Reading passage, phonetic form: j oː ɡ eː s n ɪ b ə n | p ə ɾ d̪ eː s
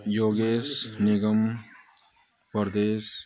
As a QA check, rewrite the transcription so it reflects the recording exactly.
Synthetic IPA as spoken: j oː ɡ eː s n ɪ ɡ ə m | p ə ɾ d̪ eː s